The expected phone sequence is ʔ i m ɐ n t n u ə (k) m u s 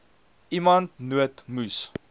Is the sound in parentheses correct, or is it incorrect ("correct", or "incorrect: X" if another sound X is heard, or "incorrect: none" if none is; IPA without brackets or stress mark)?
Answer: incorrect: t